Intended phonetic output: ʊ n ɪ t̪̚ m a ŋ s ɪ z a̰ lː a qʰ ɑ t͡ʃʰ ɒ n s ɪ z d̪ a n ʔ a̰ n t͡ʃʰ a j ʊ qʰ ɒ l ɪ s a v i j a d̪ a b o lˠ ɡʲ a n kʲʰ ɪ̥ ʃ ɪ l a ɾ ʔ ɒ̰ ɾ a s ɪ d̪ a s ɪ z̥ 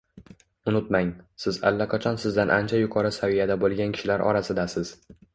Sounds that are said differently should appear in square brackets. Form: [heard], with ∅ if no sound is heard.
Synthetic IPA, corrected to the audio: ʊ n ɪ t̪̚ m a ŋ s ɪ z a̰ lː a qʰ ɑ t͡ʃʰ ɒ n s ɪ z d̪ a n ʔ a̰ n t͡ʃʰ a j ʊ qʰ ɒ [ɾ] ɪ s a v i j a d̪ a b o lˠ ɡʲ a n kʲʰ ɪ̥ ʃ ɪ l a ɾ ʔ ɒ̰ ɾ a s ɪ d̪ a s ɪ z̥